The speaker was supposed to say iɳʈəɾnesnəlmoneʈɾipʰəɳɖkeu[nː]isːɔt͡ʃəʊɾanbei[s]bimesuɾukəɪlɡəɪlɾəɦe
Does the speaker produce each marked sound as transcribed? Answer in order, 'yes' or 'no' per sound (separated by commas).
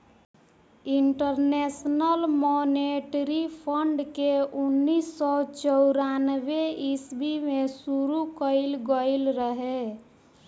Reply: yes, yes